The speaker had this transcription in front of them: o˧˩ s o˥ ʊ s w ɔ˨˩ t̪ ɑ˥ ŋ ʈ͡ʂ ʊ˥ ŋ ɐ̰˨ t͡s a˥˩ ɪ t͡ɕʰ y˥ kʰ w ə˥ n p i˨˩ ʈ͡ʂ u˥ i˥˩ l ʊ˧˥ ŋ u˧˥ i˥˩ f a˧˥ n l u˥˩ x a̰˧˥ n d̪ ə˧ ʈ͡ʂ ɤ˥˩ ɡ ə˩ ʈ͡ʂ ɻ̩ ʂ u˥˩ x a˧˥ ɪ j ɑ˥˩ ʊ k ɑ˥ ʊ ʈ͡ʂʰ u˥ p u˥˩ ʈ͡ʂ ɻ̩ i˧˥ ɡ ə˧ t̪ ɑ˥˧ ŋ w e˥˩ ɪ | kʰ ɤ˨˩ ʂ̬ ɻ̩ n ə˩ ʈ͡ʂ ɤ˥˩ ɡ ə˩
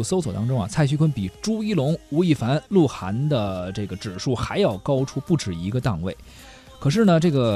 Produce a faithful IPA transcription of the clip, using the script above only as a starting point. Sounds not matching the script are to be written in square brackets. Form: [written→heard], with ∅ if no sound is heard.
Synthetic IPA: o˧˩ s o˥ ʊ s w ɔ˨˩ t̪ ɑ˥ ŋ ʈ͡ʂ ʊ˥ ŋ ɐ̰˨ [t͡s→t͡sʰ] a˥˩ ɪ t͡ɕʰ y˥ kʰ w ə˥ n p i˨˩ ʈ͡ʂ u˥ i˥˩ l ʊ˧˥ ŋ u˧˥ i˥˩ f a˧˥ n l u˥˩ x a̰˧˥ n d̪ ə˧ ʈ͡ʂ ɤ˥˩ ɡ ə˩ ʈ͡ʂ ɻ̩ ʂ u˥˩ x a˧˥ ɪ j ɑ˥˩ ʊ k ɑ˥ ʊ ʈ͡ʂʰ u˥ p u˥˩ ʈ͡ʂ ɻ̩ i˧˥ ɡ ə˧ t̪ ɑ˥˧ ŋ w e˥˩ ɪ | kʰ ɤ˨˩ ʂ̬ ɻ̩ n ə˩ ʈ͡ʂ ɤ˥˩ ɡ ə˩